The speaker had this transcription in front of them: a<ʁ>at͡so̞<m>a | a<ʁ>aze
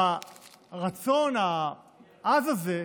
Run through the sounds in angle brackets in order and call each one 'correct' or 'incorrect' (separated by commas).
correct, incorrect, incorrect